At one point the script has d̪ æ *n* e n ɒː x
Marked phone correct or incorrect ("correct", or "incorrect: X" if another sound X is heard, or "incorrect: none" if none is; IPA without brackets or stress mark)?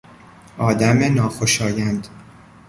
incorrect: m